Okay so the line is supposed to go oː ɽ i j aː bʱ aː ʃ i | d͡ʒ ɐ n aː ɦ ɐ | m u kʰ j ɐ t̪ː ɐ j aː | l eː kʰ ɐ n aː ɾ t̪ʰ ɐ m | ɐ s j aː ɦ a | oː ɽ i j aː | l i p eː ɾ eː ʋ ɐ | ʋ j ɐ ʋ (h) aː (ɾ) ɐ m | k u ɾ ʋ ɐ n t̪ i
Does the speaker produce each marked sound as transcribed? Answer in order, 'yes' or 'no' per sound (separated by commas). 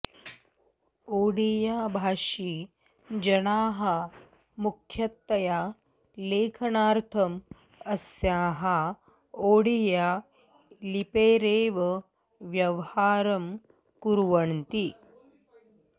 yes, yes